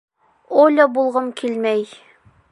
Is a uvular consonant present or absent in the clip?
present